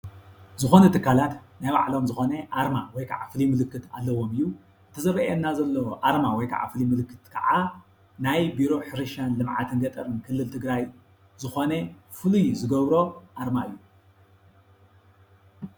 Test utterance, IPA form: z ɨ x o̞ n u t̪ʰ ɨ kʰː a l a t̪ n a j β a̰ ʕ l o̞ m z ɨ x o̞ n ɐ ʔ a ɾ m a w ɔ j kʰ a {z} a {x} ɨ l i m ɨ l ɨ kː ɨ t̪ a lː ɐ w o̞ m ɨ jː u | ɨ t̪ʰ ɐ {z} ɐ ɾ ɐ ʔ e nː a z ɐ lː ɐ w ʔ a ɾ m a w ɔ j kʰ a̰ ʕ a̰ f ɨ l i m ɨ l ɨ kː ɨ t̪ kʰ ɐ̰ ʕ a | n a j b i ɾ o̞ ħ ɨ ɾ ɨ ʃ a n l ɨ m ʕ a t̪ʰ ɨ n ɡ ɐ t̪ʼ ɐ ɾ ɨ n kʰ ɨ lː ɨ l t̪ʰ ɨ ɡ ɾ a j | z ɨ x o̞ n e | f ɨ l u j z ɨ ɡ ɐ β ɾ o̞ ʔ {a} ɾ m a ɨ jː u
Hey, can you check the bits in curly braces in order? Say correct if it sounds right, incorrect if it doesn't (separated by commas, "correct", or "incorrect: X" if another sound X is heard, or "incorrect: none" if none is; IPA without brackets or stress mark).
incorrect: ʕ, incorrect: f, correct, correct